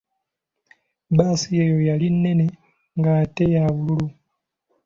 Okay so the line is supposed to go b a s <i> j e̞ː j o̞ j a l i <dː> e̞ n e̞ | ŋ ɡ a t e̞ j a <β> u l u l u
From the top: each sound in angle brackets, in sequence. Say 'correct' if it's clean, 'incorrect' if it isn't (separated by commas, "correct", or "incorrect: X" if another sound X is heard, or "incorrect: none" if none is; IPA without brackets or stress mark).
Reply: correct, incorrect: nː, correct